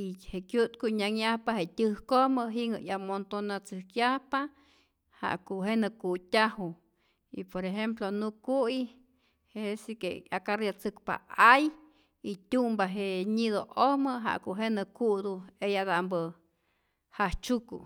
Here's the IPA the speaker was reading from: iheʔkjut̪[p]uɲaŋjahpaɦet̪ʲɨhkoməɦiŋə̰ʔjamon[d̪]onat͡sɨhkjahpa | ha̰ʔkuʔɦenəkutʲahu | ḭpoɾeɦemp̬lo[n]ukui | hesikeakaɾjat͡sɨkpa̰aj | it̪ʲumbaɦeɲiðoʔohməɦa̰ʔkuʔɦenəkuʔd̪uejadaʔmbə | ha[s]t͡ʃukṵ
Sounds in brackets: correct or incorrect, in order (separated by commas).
incorrect, incorrect, correct, incorrect